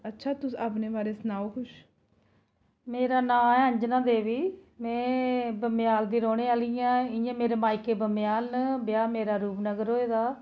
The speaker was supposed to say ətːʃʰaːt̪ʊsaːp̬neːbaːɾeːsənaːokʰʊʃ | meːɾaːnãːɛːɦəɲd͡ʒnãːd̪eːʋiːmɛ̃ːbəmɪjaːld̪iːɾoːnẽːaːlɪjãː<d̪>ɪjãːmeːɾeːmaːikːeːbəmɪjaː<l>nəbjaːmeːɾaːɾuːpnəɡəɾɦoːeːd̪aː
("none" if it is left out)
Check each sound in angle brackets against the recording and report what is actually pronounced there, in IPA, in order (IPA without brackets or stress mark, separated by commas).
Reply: none, l